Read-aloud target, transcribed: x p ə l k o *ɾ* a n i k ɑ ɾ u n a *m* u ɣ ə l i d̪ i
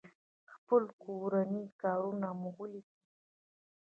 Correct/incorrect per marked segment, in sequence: correct, correct

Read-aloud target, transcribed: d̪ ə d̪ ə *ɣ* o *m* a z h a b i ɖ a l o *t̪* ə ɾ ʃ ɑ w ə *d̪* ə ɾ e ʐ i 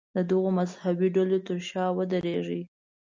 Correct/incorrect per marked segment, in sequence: correct, correct, correct, correct

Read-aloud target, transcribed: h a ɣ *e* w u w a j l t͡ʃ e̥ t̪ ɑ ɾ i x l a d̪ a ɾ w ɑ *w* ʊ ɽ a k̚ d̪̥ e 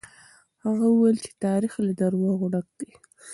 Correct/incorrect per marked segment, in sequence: incorrect, incorrect

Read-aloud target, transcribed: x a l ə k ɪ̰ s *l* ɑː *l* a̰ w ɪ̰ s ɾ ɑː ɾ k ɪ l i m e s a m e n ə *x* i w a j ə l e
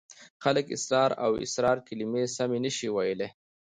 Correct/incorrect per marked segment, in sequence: incorrect, incorrect, incorrect

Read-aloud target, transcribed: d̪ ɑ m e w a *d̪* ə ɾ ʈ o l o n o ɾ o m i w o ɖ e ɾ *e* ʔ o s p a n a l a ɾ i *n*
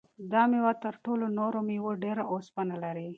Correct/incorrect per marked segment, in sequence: incorrect, incorrect, incorrect

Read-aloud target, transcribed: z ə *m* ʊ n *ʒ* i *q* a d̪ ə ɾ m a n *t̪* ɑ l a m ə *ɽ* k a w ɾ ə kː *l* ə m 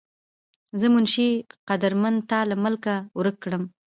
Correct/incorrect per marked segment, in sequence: correct, incorrect, correct, correct, incorrect, incorrect

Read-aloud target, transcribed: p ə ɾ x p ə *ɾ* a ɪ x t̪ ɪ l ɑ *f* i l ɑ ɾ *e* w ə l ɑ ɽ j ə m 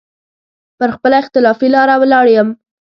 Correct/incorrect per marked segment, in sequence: incorrect, correct, incorrect

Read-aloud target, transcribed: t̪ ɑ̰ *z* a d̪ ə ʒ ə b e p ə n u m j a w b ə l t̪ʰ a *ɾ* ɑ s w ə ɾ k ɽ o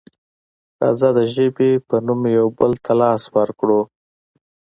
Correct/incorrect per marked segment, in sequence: correct, incorrect

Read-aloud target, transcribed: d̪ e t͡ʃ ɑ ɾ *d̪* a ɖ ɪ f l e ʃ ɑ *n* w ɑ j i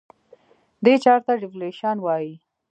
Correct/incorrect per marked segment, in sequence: incorrect, correct

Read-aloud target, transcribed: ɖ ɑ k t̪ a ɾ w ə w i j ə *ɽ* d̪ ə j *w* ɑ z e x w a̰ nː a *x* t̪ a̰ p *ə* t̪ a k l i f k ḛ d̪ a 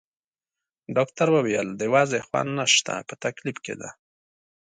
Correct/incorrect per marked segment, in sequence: incorrect, correct, incorrect, correct

